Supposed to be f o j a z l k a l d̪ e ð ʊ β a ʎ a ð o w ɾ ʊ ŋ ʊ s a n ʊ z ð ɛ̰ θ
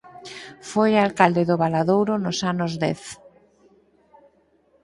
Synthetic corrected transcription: f o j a l k a l d̪ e ð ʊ β a l a ð o w ɾ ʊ n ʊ s a n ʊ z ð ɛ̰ θ